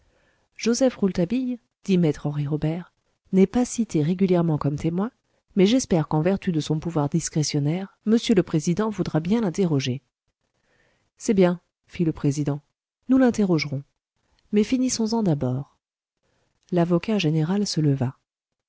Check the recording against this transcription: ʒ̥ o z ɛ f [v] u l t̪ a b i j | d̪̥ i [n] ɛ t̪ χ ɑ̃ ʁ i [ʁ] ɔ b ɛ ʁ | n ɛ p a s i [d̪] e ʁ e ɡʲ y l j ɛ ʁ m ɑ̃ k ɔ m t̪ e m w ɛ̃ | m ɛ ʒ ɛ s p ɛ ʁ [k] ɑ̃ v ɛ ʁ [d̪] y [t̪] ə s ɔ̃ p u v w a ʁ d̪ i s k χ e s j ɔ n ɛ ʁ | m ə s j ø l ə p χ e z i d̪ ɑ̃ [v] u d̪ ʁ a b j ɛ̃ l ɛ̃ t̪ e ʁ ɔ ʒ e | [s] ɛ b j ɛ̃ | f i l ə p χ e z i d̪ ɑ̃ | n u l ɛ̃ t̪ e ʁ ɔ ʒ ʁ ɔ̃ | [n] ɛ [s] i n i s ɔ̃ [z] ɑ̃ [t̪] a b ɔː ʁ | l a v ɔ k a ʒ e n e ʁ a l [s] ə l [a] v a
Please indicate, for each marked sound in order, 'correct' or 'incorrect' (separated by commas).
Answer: incorrect, incorrect, correct, incorrect, correct, incorrect, incorrect, correct, correct, incorrect, incorrect, correct, incorrect, correct, incorrect